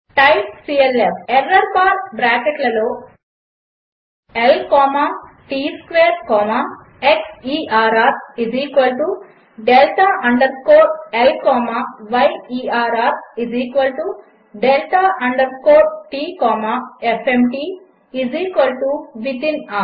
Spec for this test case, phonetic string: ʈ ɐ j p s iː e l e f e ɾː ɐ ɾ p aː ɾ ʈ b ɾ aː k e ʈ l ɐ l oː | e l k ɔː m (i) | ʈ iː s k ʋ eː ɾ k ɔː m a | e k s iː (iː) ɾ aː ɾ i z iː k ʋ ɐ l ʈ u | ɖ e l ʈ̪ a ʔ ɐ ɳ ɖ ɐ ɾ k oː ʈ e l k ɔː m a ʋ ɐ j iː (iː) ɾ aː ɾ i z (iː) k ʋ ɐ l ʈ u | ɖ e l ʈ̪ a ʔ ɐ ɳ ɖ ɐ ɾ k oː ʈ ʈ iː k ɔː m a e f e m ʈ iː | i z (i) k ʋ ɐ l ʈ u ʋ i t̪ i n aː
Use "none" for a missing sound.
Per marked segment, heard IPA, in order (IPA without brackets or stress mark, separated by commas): a, aː, aː, iː, iː